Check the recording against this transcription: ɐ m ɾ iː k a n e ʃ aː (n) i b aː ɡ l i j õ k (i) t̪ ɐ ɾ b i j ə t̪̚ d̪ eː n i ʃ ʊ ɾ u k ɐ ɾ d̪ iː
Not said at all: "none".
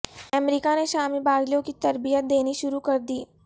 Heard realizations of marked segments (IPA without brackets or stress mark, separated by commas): m, i